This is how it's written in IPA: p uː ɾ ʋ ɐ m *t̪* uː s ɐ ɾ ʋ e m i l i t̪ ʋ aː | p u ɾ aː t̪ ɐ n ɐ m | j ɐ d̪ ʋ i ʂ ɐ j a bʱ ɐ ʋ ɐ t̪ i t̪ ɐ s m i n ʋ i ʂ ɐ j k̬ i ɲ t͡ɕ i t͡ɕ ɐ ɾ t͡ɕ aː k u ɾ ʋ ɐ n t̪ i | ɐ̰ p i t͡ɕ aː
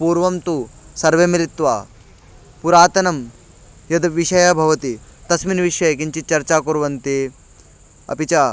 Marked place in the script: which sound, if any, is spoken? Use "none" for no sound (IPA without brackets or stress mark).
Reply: t̪